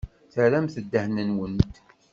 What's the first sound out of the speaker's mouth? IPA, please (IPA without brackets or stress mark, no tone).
θ